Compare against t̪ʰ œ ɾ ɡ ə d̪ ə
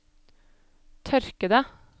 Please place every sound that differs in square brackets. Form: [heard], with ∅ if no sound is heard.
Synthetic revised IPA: t̪ʰ œ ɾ [k] ə d̪ ə

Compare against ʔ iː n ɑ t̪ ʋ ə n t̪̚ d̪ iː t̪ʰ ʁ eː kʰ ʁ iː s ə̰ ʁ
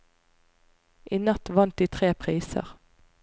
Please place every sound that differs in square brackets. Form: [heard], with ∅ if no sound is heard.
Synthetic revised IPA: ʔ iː n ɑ t̪ ʋ [ɑ] n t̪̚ d̪ iː t̪ʰ ʁ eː [pʰ] ʁ iː s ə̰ ʁ

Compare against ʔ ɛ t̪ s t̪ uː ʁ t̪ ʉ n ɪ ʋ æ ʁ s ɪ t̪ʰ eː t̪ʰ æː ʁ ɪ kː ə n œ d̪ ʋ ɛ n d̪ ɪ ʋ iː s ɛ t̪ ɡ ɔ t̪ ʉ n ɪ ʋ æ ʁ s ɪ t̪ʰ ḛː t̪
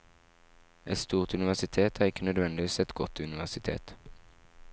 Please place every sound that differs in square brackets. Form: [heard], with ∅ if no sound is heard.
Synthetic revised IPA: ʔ ɛ t̪ s t̪ uː ʁ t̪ ʉ n ɪ ʋ æ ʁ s ɪ t̪ʰ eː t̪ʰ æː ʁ ɪ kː ə n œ d̪ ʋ ɛ n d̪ ɪ ʋ iː s ɛ t̪ ɡ ɔ t̪ ʉ n ɪ ʋ æ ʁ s ɪ t̪ʰ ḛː t̪

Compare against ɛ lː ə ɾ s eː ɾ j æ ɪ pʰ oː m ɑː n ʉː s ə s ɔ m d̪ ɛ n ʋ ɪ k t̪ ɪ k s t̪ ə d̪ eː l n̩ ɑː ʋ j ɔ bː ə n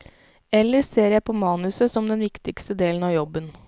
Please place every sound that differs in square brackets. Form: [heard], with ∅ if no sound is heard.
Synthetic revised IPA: ɛ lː ə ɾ s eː ɾ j æ ɪ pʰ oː m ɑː n [ʉ] s ə s ɔ m d̪ ɛ n ʋ ɪ k t̪ ɪ k s t̪ ə d̪ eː l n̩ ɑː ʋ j ɔ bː ə n

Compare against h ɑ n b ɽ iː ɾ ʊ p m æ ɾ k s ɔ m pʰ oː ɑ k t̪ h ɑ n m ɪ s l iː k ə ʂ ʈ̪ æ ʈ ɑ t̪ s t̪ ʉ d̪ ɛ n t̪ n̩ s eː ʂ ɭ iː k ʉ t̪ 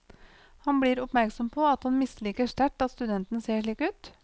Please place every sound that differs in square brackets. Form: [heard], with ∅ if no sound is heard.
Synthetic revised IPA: h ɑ n b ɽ iː ɾ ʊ p m æ ɾ k s ɔ m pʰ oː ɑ [∅] t̪ h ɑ n m ɪ s l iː k ə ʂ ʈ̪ æ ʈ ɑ t̪ s t̪ ʉ d̪ ɛ n t̪ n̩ s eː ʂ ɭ iː k [ʉː] t̪

